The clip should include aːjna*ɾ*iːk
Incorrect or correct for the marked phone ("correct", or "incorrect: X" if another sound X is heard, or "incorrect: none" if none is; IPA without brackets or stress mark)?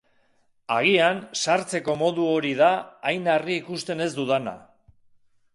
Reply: incorrect: r